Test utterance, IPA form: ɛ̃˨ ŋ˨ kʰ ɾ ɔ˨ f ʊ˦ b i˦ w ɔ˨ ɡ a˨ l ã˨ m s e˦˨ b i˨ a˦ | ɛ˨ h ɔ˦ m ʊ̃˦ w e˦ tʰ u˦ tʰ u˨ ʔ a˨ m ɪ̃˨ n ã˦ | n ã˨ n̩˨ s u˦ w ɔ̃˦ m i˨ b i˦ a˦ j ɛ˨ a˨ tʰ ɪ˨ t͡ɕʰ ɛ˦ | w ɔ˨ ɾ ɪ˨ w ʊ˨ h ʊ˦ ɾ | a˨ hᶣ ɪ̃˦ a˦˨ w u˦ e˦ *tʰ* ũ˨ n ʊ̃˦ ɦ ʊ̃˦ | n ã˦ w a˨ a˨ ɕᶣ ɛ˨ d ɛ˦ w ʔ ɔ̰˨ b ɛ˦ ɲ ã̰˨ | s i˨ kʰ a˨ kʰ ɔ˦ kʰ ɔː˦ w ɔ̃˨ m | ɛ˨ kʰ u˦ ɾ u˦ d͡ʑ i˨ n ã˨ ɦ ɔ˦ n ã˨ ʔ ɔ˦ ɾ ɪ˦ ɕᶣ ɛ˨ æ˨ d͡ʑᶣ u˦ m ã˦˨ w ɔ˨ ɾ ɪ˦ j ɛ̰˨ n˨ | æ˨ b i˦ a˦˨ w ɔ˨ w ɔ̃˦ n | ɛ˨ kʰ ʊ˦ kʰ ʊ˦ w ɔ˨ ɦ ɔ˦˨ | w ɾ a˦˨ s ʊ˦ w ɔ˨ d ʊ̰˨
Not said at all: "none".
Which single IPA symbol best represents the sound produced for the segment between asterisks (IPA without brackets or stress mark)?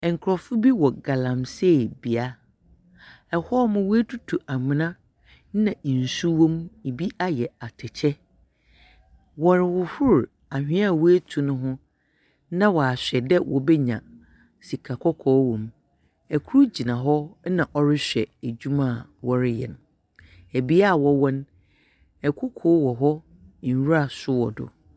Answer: tʰ